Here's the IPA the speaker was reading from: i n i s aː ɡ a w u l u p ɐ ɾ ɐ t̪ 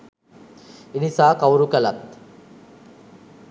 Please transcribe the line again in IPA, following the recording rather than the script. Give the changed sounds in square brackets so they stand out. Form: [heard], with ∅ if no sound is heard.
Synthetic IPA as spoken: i n i s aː [k] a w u [ɾ] u [k] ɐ [l] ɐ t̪